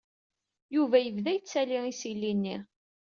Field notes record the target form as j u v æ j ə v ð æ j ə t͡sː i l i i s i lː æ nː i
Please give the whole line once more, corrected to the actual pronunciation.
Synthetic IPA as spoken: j u v æ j ə v ð æ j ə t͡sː æ l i i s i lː i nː i